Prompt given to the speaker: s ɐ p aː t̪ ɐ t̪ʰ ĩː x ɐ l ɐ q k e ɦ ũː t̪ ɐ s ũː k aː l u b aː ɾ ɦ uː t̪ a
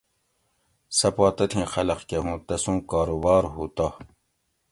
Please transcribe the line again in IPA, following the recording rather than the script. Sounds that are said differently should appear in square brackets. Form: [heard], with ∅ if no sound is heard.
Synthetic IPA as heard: s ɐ p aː t̪ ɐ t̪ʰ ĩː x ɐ l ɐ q k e ɦ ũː t̪ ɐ s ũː k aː [ɾ] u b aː ɾ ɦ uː t̪ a